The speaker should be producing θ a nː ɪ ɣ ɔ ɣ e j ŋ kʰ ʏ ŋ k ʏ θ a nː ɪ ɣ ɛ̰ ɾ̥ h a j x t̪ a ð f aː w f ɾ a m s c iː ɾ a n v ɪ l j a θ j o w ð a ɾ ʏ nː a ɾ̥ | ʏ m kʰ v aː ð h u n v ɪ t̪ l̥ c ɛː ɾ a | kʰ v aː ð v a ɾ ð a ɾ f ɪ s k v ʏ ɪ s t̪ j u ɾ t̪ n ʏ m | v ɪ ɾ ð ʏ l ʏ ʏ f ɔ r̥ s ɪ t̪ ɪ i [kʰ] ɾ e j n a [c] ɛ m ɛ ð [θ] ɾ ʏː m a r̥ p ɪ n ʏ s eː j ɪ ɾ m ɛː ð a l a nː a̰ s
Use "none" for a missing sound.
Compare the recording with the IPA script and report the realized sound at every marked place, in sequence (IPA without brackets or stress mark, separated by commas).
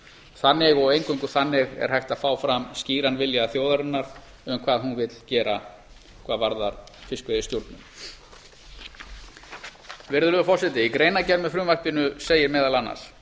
k, c, f